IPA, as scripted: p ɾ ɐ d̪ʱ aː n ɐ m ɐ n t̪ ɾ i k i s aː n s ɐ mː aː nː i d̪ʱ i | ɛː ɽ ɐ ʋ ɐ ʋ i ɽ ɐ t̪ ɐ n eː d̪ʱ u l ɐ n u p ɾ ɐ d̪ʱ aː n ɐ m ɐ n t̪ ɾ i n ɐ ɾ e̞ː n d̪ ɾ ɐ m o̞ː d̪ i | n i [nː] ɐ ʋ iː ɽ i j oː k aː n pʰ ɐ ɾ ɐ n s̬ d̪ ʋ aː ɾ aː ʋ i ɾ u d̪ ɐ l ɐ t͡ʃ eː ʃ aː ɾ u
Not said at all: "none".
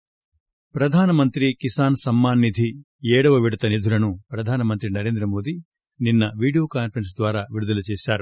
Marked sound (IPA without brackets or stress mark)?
nː